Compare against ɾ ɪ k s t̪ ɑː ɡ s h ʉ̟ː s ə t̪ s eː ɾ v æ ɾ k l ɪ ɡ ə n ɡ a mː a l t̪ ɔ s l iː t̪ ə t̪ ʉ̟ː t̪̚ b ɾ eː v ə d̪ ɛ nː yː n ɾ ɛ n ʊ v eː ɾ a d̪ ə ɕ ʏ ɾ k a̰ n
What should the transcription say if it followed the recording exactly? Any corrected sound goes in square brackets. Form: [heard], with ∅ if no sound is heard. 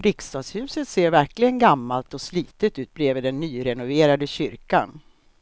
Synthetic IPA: ɾ ɪ k s t̪ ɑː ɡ s h ʉ̟ː s ə t̪ s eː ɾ v æ ɾ k l ɪ ɡ ə n ɡ a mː a l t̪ ɔ s l iː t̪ ə t̪ ʉ̟ː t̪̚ b ɾ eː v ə d̪ ɛ nː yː [∅] ɾ ɛ n ʊ v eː ɾ a d̪ ə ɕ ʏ ɾ k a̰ n